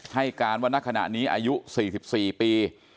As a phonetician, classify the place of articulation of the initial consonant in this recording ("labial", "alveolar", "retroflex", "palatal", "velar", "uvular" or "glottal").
glottal